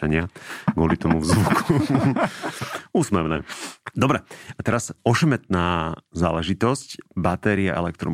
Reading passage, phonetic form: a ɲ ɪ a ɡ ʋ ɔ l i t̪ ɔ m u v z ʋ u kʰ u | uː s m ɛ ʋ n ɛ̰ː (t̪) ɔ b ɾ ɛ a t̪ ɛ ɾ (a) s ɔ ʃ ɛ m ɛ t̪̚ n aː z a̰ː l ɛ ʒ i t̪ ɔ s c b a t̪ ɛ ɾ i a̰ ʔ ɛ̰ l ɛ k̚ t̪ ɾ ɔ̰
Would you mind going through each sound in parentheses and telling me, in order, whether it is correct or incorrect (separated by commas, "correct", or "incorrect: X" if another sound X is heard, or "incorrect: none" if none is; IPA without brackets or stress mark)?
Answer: incorrect: d̪, correct